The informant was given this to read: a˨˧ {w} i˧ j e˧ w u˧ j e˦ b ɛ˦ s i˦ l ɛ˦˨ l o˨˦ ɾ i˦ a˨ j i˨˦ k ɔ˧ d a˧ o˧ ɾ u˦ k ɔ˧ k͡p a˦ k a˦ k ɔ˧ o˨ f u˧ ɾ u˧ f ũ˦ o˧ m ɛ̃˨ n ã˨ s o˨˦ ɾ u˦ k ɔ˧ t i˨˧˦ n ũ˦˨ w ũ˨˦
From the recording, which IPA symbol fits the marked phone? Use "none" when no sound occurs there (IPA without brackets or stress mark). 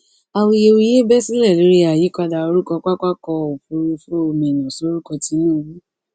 w